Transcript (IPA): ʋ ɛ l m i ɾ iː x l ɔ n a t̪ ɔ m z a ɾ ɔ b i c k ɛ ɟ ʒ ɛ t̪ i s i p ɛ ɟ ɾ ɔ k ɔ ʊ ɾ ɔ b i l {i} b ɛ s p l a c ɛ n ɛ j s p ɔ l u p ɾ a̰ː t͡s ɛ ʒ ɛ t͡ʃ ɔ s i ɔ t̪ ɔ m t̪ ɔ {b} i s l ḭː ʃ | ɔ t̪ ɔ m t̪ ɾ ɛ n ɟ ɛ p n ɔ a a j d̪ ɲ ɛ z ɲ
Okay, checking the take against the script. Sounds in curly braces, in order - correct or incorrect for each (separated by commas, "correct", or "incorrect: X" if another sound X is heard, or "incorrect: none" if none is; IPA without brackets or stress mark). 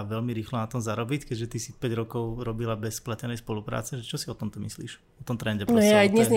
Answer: incorrect: a, incorrect: m